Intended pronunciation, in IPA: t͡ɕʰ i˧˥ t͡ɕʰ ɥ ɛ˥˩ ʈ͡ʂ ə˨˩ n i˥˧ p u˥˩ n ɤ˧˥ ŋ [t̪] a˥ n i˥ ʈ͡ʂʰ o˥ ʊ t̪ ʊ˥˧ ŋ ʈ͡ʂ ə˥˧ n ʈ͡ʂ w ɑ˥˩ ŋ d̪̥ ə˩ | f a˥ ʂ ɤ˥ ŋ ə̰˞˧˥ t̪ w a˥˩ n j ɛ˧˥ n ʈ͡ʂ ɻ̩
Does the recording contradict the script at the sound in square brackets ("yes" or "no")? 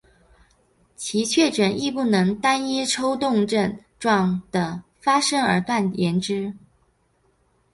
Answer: no